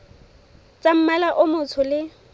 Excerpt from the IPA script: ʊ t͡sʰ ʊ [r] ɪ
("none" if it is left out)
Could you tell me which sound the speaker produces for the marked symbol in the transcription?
l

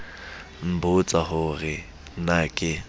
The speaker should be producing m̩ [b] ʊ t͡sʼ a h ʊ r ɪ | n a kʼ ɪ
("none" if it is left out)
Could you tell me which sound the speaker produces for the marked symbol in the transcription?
b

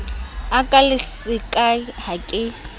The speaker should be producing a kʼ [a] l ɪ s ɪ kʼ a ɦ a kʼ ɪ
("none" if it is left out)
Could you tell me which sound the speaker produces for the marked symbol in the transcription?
a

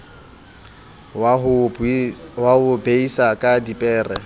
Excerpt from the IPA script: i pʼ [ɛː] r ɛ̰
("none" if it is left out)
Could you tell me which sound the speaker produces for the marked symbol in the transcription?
ɛː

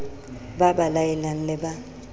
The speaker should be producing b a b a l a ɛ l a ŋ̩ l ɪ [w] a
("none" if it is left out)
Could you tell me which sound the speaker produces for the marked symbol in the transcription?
b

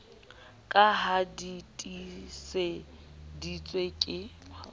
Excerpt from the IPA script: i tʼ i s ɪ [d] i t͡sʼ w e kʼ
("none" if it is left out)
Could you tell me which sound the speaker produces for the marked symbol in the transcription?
d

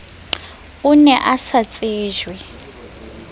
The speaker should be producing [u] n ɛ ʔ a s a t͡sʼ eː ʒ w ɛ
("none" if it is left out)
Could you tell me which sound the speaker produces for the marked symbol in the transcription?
u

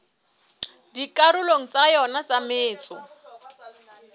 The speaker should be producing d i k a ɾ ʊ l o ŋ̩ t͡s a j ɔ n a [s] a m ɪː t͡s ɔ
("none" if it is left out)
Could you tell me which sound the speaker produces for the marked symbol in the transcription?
t͡s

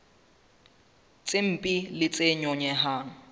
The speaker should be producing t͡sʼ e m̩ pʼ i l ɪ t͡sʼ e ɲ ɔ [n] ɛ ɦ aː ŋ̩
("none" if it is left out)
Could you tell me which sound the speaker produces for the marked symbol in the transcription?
ɲ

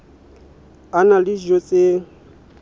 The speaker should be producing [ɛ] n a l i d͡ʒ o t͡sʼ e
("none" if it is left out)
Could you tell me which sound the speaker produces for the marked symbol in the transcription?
a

